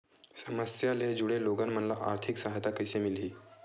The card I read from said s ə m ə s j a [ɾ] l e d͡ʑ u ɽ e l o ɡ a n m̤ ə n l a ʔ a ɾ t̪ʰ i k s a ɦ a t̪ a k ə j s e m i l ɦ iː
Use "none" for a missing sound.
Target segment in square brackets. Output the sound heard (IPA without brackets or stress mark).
none